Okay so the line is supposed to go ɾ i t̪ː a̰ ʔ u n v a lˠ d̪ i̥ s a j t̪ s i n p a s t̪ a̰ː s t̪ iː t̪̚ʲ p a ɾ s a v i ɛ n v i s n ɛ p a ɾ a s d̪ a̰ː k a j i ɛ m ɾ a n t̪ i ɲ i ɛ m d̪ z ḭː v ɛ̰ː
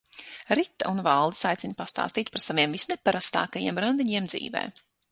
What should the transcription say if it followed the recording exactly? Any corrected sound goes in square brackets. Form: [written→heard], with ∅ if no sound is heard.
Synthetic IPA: ɾ i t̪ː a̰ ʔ u n v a lˠ d̪ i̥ s a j t̪ s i n p a s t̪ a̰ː s t̪ iː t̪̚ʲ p a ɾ s a v i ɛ [n→m] v i s n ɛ p a ɾ a s [d̪→t̪] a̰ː k a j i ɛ m ɾ a n [t̪→d̪] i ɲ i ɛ m d̪ z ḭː v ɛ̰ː

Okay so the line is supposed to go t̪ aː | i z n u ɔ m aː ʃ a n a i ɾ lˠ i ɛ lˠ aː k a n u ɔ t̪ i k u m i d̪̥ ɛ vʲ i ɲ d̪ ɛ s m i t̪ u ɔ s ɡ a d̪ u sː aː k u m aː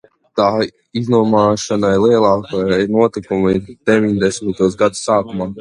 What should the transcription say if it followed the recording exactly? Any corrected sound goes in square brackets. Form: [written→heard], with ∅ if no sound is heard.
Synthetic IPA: t̪ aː | i z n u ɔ m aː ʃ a n a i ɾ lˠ i ɛ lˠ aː k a n u ɔ t̪ i k u m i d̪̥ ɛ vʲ i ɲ d̪ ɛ s m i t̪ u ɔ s ɡ a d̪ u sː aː k u m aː

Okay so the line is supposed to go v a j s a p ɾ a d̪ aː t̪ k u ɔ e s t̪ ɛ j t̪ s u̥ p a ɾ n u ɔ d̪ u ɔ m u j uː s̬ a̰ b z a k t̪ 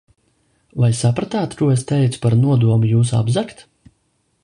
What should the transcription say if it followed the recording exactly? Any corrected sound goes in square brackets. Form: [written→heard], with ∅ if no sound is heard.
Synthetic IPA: v a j s a p ɾ a [d̪→t̪] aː t̪ k u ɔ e s t̪ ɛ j t̪ s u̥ p a ɾ n u ɔ d̪ u ɔ m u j uː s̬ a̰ b z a k t̪

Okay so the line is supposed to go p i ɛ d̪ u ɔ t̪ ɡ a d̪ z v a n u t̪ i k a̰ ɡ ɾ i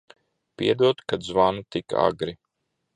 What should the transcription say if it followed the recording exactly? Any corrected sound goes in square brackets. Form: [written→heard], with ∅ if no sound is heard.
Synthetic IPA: p i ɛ d̪ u ɔ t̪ [ɡ→k] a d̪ z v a n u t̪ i k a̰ ɡ ɾ i

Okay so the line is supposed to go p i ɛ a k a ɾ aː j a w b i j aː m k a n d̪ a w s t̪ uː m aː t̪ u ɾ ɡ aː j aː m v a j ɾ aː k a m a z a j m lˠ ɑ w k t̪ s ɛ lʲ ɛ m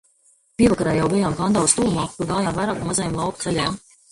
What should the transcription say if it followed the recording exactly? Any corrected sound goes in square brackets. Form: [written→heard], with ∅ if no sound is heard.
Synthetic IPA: p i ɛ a k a ɾ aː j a w b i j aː m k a n d̪ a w s t̪ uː m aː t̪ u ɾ ɡ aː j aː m v a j ɾ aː k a m a z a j m lˠ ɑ w k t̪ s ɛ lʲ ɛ m

